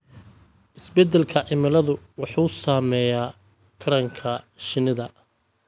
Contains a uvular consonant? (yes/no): no